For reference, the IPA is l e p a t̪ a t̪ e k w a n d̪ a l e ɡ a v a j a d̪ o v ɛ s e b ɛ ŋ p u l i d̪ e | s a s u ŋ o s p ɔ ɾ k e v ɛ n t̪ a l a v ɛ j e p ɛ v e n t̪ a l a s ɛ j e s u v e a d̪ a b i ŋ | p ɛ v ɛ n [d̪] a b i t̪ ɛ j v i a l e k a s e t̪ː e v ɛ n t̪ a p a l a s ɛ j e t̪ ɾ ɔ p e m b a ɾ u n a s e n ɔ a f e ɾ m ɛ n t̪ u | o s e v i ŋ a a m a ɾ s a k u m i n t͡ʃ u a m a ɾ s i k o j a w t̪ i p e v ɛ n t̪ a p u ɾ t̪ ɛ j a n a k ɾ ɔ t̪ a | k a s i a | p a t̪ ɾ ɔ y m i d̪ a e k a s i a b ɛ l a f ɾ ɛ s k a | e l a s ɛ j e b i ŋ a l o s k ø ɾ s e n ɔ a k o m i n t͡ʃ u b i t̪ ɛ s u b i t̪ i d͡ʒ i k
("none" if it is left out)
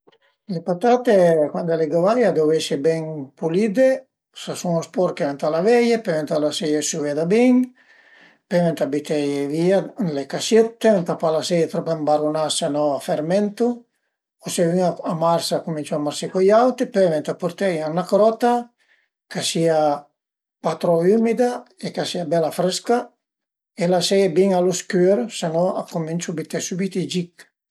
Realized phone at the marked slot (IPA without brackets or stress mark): t̪